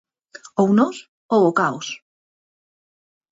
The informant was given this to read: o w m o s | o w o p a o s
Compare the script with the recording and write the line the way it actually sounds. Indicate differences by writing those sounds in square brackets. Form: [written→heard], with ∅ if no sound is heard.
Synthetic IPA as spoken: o w [m→n] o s | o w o [p→k] a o s